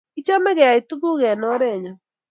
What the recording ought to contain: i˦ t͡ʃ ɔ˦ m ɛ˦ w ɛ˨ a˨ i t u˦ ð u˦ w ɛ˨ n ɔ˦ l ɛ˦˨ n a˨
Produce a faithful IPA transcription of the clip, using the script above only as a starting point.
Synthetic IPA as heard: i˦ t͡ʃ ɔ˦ m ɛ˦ ɣ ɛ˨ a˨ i t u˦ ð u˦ ɣ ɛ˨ n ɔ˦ ɾ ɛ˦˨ ɲ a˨